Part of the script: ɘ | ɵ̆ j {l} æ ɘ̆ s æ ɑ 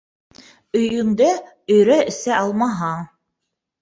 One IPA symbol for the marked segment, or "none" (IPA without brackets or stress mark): ɾ